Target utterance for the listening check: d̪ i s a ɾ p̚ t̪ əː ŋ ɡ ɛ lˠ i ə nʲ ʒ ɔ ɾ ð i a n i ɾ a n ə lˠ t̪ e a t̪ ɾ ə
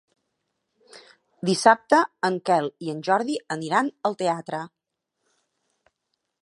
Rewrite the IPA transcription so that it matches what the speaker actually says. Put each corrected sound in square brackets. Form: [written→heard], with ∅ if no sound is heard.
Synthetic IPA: d̪ i s a [ɾ→∅] p̚ t̪ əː ŋ [ɡ→k] ɛ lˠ i ə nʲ ʒ ɔ ɾ ð i [a→ə] n i ɾ a n ə lˠ t̪ e a t̪ ɾ ə